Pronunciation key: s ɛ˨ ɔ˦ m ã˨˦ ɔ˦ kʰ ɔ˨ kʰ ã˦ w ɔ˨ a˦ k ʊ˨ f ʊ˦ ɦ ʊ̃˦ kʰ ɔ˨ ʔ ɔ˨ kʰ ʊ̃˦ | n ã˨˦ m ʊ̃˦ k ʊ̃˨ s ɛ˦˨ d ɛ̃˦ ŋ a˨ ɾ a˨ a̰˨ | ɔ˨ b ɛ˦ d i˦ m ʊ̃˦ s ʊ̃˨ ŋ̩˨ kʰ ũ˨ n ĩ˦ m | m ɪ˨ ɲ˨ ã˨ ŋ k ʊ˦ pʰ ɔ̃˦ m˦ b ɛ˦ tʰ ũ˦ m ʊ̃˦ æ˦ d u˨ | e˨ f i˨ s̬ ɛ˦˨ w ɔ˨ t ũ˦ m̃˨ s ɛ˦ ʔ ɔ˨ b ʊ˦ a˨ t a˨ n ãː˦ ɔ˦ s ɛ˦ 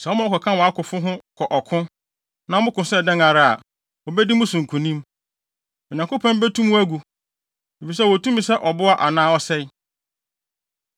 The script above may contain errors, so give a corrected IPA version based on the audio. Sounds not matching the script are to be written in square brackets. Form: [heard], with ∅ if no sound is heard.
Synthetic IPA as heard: s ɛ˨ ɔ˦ m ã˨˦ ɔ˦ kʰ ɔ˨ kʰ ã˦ w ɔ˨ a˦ k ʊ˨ f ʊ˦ ɦ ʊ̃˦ kʰ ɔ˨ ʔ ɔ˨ kʰ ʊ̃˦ | n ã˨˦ m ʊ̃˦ k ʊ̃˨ s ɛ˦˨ d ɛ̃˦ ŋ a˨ ɾ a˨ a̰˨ | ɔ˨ b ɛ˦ d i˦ m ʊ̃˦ s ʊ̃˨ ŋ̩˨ kʰ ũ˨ n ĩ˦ m | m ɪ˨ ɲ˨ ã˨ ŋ k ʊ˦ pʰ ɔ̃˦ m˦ b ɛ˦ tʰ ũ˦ m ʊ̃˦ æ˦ [ɡ] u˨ | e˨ f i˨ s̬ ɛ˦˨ w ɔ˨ t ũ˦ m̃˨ s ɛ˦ ʔ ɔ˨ b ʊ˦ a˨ [ʔ] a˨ n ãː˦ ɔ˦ s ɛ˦